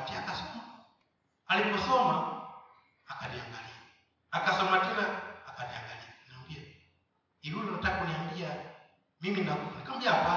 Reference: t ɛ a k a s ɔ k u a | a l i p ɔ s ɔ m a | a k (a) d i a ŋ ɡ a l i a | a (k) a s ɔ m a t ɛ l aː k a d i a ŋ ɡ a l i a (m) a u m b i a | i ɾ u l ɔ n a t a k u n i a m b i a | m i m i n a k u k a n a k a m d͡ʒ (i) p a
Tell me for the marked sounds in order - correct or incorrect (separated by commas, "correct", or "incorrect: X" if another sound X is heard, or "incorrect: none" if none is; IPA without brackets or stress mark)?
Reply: correct, correct, incorrect: n, incorrect: a